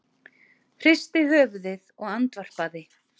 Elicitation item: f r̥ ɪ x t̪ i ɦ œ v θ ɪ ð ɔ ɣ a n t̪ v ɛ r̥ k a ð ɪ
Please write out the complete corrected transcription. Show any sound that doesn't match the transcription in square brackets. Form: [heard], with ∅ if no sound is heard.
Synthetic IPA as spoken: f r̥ ɪ [s] t̪ [ɪ] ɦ [œː] v [ð] ɪ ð ɔ ɣ a n t̪ v [a] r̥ [p] a ð ɪ